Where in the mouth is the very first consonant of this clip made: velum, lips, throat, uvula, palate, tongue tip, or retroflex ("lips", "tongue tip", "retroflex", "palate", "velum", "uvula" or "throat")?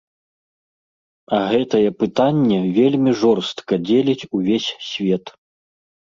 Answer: velum